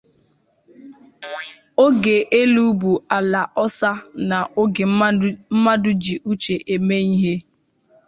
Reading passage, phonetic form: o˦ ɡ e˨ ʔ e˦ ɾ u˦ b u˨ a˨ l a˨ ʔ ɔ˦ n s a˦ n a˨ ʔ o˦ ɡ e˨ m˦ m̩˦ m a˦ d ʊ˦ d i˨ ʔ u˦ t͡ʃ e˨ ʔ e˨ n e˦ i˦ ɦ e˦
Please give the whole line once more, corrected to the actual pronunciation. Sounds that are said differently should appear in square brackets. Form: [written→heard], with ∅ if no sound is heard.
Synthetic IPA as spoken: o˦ ɡ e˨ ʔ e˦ [ɾ→l] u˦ b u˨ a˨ l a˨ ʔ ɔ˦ [n→∅] s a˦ n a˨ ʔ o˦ ɡ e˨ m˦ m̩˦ m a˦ d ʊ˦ [d→d͡ʒ] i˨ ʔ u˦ t͡ʃ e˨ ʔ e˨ [n→m] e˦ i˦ ɦ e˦

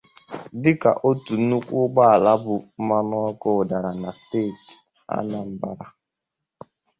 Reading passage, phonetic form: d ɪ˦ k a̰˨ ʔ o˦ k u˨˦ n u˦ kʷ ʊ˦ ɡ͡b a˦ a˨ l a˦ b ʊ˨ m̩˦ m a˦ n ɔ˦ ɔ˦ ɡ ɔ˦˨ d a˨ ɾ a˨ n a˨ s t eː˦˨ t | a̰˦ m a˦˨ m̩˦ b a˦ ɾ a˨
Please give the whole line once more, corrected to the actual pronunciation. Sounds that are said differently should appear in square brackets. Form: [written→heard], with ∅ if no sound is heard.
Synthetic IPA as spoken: d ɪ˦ k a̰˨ ʔ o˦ [k→t] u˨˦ n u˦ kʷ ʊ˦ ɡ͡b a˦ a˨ l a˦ b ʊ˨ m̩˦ m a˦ n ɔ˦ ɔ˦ [ɡ→k] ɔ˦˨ d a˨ ɾ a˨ n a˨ s t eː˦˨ t | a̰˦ [m→n] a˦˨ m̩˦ b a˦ ɾ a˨

